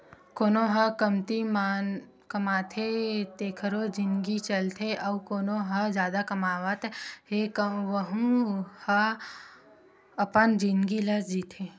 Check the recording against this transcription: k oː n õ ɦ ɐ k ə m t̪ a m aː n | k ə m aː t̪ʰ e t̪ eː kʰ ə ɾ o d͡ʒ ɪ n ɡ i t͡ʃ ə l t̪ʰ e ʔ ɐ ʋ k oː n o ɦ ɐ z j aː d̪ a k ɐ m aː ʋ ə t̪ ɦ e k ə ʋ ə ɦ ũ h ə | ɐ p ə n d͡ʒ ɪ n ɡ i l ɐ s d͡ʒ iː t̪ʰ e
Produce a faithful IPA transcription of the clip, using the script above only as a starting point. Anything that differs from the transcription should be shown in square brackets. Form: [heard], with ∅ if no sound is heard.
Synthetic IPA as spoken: k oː n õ ɦ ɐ k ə m t̪ [i] m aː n | k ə m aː t̪ʰ e t̪ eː kʰ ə ɾ o d͡ʒ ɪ n ɡ i t͡ʃ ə l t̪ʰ e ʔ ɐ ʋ k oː n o ɦ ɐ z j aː d̪ a k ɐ m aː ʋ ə t̪ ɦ e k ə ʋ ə ɦ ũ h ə | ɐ p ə n d͡ʒ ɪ n ɡ i l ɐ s d͡ʒ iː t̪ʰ e